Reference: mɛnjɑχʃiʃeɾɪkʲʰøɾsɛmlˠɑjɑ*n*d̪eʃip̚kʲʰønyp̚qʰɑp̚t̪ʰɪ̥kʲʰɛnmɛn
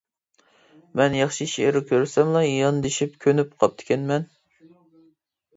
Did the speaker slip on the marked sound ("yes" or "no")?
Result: no